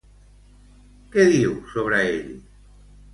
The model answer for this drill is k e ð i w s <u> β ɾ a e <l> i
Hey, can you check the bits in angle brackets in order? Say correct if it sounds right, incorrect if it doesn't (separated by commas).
incorrect, incorrect